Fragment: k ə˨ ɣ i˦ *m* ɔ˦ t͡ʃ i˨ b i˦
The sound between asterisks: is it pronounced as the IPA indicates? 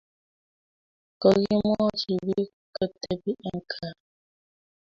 yes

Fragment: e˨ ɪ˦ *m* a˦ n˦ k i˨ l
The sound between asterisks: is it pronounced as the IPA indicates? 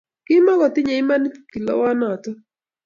yes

